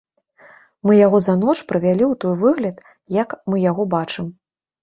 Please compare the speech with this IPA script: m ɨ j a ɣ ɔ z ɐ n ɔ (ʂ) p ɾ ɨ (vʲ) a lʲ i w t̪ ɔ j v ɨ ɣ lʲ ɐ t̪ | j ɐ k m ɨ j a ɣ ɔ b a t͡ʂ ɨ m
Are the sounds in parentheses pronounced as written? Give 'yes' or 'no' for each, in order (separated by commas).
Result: no, yes